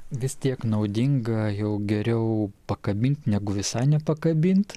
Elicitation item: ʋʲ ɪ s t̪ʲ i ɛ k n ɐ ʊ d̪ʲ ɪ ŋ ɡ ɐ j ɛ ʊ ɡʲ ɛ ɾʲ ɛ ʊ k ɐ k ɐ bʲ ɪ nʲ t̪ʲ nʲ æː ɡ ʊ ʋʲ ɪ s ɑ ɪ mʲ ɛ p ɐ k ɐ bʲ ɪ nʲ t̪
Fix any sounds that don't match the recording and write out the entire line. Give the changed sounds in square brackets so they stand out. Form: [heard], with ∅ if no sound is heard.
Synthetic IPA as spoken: ʋʲ ɪ s t̪ʲ i ɛ k n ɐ ʊ d̪ʲ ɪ ŋ ɡ ɐ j ɛ ʊ ɡʲ ɛ ɾʲ ɛ ʊ [p] ɐ k ɐ bʲ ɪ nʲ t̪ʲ nʲ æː ɡ ʊ ʋʲ ɪ s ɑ ɪ [nʲ] ɛ p ɐ k ɐ bʲ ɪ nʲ t̪